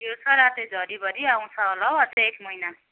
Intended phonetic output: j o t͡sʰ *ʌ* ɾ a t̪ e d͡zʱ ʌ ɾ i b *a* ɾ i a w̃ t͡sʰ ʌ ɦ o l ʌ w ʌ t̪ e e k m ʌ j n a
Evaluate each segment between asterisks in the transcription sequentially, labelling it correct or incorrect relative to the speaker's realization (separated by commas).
correct, incorrect